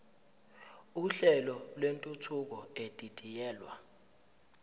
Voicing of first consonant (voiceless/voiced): voiceless